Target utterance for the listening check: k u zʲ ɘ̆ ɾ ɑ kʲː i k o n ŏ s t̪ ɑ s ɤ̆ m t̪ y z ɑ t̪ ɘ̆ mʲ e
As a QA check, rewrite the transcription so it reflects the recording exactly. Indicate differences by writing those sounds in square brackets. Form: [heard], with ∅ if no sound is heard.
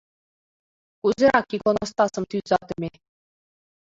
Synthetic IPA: k u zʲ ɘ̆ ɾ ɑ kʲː i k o n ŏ s t̪ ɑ s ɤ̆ m t̪ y z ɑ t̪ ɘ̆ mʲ e